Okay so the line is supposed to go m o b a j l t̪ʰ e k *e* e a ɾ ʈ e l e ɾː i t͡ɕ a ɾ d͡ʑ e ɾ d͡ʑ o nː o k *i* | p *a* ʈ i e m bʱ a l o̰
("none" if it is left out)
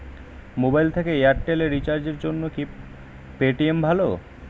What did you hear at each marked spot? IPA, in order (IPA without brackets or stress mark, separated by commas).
e, i, e